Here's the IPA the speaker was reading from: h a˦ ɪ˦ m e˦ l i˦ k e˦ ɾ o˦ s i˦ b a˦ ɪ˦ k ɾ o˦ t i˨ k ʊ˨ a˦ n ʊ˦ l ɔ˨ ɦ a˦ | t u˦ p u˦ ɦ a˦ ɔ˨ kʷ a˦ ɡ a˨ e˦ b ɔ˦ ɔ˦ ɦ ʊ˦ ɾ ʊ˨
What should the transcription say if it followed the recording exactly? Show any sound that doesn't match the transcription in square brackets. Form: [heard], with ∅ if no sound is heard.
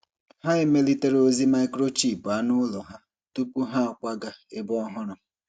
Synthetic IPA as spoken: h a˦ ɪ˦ m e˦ l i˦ [t] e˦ ɾ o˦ [z] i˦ [m] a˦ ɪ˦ k ɾ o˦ [t͡ʃ] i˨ [p] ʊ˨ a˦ n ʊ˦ l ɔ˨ ɦ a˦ | t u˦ p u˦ ɦ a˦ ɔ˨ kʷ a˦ ɡ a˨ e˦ b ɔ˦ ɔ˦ ɦ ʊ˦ ɾ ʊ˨